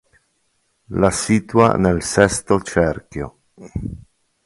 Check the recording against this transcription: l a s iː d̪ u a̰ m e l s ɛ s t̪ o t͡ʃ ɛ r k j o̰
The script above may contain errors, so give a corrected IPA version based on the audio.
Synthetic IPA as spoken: l a s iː t̪ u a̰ n e l s ɛ s t̪ o t͡ʃ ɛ r k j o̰